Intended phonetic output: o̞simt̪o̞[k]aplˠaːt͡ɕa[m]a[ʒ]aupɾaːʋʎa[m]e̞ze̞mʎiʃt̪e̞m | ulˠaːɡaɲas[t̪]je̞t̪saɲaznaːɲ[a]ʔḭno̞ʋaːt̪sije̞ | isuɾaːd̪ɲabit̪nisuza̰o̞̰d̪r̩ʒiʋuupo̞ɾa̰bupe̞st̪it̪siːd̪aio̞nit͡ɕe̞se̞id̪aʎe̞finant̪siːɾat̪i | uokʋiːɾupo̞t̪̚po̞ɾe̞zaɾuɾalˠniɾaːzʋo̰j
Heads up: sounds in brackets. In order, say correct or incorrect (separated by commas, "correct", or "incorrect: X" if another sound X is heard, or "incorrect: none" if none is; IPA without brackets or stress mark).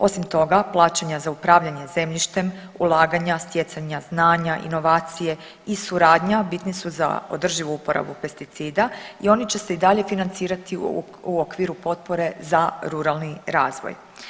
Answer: incorrect: ɡ, incorrect: ɲ, incorrect: z, incorrect: ɲ, correct, correct